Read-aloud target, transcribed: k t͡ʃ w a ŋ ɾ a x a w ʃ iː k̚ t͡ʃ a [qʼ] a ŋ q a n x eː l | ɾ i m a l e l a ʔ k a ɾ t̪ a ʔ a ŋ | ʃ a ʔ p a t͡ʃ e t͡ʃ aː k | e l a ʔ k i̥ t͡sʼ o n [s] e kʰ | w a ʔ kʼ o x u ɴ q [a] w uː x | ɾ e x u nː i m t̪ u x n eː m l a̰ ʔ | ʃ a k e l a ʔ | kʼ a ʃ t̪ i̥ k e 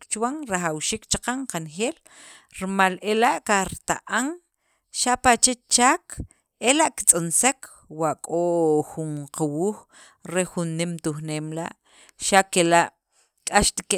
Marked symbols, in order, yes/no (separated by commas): no, yes, yes